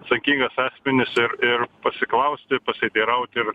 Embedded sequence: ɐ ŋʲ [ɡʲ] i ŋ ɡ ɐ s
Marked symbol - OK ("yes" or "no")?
no